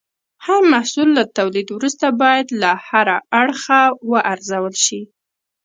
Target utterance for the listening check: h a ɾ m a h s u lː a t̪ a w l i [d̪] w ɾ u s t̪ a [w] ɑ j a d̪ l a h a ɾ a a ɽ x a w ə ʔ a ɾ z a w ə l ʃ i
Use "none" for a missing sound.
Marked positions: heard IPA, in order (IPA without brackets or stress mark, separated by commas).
d̪, b